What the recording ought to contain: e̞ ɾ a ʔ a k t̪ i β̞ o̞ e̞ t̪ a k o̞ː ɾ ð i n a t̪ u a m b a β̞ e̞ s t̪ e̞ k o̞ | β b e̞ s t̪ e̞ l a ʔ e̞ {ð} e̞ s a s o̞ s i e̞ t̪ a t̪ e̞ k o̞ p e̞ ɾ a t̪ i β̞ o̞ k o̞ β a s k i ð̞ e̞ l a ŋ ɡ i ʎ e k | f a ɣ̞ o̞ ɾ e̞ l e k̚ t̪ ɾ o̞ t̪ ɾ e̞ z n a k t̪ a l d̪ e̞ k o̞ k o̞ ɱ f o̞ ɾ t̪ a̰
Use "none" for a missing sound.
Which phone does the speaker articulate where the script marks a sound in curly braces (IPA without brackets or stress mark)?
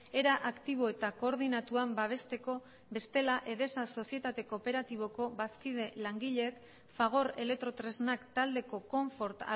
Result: ð